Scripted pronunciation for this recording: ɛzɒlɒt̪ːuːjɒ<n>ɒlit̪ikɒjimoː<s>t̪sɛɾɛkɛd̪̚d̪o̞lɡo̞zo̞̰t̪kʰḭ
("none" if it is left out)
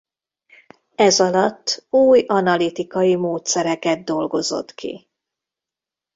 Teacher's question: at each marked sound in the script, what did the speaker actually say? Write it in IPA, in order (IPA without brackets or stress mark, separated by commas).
n, none